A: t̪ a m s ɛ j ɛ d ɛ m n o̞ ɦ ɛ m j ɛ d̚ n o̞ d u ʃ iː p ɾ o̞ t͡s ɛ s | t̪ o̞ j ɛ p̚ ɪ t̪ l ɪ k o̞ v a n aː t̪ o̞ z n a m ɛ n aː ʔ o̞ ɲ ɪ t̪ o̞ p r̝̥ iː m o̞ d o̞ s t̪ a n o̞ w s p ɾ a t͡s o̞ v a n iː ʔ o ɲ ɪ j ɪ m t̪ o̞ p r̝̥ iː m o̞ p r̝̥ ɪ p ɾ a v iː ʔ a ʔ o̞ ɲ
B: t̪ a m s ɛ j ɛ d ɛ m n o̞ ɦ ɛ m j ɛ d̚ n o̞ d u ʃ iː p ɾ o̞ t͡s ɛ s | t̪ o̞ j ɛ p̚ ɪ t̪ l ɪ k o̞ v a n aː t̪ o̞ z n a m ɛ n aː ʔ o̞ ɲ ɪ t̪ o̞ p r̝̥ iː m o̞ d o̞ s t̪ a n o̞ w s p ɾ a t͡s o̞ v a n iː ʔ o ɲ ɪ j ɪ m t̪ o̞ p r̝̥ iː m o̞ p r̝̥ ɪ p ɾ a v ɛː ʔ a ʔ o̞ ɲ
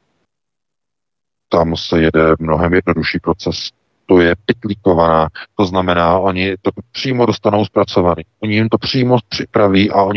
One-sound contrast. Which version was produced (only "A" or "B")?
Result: A